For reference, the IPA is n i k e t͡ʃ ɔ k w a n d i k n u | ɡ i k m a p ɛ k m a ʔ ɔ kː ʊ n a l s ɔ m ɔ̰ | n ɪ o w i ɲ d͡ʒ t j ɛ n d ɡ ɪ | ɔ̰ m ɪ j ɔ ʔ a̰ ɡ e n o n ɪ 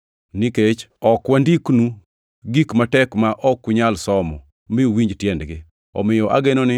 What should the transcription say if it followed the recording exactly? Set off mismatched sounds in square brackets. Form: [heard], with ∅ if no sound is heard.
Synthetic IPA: n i k e t͡ʃ ɔ k w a n d i k n u | ɡ i k m a [t] ɛ k m a ʔ ɔ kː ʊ [ɲ] a l s ɔ m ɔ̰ | [m] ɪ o w i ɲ d͡ʒ t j ɛ n d ɡ ɪ | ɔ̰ m ɪ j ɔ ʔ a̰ ɡ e n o n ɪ